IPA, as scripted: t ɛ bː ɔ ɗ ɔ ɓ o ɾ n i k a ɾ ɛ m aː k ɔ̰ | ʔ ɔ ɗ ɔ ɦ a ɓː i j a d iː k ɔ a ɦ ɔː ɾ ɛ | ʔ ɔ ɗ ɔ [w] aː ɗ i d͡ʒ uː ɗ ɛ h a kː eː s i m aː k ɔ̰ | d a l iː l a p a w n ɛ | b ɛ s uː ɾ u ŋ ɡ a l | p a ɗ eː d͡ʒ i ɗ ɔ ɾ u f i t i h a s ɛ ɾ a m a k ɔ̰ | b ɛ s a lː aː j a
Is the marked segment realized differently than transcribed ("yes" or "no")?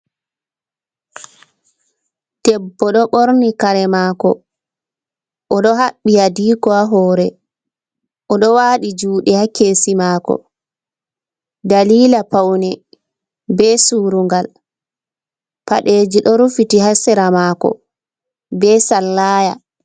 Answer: no